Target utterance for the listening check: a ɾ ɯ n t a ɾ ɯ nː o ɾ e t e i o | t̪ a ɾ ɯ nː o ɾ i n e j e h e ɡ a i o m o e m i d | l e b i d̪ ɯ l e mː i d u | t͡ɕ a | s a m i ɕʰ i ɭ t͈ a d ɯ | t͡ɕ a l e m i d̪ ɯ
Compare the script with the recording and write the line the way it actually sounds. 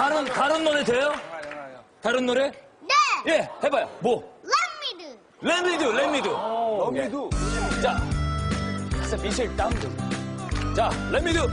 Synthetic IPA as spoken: a ɾ ɯ n t a ɾ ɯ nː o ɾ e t e j o | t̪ a ɾ ɯ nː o ɾ e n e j e h e b a j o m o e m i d | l e m i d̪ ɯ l e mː i d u | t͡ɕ a | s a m i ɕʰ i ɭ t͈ a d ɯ | t͡ɕ a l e m i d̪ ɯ